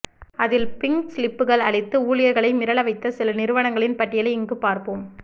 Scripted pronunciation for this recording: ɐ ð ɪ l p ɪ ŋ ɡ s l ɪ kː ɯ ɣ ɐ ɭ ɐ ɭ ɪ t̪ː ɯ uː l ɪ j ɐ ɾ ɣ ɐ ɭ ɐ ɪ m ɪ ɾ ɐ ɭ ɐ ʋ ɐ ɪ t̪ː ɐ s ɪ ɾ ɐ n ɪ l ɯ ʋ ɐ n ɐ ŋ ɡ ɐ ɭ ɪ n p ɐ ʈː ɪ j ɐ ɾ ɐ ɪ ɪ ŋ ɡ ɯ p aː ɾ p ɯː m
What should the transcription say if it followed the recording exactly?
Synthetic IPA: ɐ ð ɪ l p ɪ ŋ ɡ s l ɪ pː ɯ ɣ ɐ ɭ ɐ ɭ ɪ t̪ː ɯ uː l ɪ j ɐ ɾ ɣ ɐ ɭ ɐ ɪ m ɪ ɾ ɐ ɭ ɐ ʋ ɐ ɪ t̪ː ɐ s ɪ l ɐ n ɪ ɾ ɯ ʋ ɐ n ɐ ŋ ɡ ɐ ɭ ɪ n p ɐ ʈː ɪ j ɐ l ɐ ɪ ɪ ŋ ɡ ɯ p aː ɾ p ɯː m